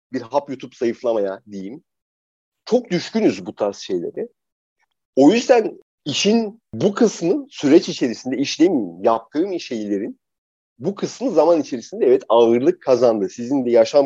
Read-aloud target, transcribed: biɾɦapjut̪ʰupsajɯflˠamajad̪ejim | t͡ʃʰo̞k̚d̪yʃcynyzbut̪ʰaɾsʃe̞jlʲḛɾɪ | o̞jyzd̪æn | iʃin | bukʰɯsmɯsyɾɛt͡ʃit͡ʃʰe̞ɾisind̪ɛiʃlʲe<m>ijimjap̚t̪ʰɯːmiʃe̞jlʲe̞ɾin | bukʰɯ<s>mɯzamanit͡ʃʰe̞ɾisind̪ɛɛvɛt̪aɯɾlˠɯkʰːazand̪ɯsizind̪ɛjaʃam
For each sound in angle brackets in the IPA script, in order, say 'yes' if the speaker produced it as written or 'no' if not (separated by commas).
yes, yes